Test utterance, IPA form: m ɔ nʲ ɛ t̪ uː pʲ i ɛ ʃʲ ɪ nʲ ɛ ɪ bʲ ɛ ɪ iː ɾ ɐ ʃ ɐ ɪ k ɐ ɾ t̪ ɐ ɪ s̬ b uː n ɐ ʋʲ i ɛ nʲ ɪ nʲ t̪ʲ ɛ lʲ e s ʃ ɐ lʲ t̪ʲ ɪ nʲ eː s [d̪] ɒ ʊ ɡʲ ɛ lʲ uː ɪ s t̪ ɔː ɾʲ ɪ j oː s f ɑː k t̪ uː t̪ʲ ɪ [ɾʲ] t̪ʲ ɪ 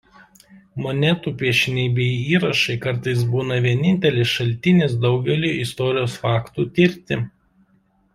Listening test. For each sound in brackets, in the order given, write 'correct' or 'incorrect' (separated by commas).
correct, correct